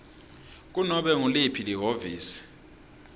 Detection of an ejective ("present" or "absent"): absent